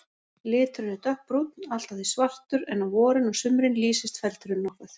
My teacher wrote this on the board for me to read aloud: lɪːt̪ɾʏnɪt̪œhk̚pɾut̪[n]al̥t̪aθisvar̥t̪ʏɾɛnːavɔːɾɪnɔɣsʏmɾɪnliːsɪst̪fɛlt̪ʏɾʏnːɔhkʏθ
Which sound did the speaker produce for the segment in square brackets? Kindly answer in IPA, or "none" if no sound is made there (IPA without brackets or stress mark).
n